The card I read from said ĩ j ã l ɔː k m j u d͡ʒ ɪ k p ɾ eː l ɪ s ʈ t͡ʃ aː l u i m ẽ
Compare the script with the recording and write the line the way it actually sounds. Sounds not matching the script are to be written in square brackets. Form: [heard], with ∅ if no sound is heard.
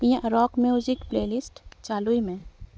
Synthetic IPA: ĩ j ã [ɾ] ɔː k m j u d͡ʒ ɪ k p [l] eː l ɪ s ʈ t͡ʃ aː l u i m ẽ